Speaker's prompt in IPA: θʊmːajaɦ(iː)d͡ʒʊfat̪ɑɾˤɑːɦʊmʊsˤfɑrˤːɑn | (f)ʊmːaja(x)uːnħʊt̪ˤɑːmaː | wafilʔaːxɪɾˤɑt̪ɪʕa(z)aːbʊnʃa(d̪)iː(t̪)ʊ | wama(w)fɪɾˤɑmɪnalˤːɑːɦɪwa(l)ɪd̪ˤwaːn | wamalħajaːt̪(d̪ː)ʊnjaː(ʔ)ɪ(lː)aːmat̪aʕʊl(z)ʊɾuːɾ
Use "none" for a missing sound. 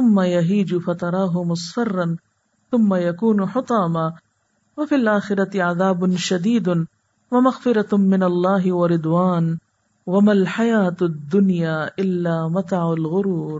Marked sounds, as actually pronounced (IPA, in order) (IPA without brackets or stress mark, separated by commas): iː, θ, k, ð, d̪, d̪, ɣ, ɾ, d̪ː, ʔ, lː, ɣ